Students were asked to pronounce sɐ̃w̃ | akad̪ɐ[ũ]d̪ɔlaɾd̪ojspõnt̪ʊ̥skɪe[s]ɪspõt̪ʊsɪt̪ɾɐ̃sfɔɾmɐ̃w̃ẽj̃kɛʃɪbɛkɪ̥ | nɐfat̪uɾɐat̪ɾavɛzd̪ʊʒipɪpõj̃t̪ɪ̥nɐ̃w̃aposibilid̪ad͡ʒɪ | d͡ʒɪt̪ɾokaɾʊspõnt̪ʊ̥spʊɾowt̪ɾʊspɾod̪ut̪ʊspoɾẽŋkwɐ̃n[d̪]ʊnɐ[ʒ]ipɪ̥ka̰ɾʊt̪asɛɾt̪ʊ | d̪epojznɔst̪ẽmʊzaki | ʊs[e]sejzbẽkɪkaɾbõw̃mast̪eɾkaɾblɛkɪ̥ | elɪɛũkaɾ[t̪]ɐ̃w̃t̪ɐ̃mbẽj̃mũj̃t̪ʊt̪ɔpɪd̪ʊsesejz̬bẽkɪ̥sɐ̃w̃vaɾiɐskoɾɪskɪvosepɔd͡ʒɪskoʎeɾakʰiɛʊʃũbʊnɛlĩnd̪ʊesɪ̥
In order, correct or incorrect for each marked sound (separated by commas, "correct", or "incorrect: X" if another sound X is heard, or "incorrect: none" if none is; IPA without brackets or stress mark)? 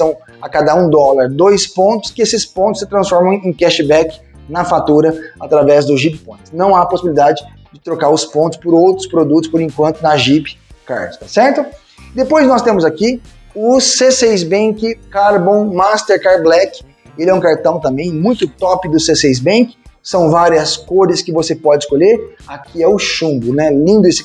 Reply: correct, correct, incorrect: t̪, correct, correct, correct